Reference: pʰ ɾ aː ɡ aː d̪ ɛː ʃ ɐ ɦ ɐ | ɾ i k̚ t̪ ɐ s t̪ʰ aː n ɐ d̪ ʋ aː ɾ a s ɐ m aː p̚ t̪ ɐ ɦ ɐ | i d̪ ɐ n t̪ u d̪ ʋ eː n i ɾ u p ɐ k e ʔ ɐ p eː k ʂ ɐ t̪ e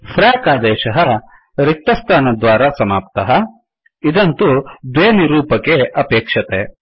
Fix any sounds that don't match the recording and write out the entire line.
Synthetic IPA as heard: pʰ ɾ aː k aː d̪ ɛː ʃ ɐ ɦ ɐ | ɾ i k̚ t̪ ɐ s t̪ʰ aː n ɐ d̪ ʋ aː ɾ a s ɐ m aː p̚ t̪ ɐ ɦ ɐ | i d̪ ɐ n t̪ u d̪ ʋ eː n i ɾ uː p ɐ k e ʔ ɐ p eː k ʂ ɐ t̪ e